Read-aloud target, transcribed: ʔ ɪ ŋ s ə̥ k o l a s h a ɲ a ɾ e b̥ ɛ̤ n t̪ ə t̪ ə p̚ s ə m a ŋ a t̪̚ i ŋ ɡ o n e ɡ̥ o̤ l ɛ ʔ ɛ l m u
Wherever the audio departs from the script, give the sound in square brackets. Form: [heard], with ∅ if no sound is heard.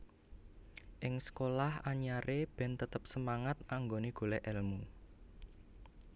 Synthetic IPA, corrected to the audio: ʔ ɪ ŋ s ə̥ k o l a [∅] h a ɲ a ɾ e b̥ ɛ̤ n t̪ ə t̪ ə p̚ s ə m a ŋ a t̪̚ [a] ŋ ɡ o n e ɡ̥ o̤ l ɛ ʔ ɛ l m u